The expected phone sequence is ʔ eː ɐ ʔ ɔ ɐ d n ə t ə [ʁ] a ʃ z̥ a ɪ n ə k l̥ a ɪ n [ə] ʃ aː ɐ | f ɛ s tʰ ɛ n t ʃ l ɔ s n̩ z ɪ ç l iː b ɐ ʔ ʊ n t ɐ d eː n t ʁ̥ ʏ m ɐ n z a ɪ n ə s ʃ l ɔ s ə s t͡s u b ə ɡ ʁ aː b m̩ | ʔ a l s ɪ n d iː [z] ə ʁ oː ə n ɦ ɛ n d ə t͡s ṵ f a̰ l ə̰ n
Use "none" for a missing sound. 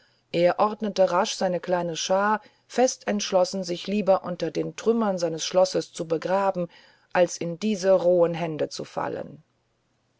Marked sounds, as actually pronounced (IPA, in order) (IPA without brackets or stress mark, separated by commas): ʁ, ə, z